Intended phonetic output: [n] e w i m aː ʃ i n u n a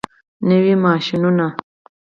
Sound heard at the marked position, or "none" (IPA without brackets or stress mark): n